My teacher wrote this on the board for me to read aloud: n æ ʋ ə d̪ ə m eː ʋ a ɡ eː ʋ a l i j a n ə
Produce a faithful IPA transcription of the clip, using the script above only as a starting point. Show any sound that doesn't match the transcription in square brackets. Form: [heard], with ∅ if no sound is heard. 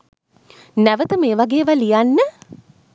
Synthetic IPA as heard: n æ ʋ ə [t̪] ə m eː ʋ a ɡ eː ʋ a l i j a [nː] ə

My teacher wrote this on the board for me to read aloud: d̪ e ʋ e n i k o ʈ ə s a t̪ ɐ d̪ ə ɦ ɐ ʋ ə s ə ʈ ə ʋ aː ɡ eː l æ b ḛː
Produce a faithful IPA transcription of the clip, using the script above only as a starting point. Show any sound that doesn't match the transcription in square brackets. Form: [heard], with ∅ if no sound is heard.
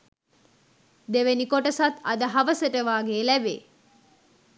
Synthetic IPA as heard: d̪ e ʋ e n i k o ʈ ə s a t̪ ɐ d̪ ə ɦ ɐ ʋ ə s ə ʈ ə ʋ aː ɡ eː l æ b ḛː

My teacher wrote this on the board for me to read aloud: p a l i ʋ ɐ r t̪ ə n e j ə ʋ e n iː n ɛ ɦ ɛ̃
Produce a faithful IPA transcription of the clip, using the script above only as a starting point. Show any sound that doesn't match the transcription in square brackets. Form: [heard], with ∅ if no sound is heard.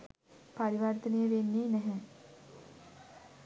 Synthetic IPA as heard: p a [ɾ] i ʋ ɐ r t̪ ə n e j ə ʋ e [nː] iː n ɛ ɦ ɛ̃

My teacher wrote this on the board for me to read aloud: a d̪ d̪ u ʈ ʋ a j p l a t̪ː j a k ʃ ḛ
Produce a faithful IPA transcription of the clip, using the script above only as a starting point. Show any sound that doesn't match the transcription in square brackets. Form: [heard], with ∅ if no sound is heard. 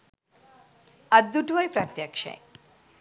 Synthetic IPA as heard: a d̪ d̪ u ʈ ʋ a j p [ɾ] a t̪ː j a k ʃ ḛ

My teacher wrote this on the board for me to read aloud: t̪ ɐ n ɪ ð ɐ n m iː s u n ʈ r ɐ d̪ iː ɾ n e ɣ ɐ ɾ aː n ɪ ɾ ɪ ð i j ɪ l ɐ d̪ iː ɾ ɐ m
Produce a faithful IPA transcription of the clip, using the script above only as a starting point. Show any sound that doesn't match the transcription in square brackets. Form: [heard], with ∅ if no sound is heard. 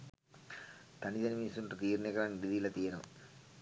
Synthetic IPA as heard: t̪ ɐ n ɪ ð ɐ n m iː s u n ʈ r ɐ [t̪] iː ɾ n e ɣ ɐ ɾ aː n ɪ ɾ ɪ ð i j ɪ l ɐ [t̪] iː ɾ ɐ m

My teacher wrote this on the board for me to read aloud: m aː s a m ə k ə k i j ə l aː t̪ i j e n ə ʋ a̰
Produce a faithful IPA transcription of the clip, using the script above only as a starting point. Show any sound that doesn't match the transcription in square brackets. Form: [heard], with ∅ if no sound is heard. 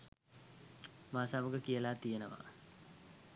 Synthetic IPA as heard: m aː s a m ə [ɡ] ə k i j ə l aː t̪ i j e n ə ʋ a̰

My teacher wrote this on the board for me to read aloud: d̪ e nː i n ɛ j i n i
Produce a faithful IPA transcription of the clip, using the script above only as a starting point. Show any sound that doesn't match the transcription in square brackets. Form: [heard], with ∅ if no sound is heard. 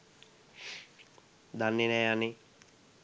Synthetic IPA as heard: d̪ [a] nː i n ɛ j [a] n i

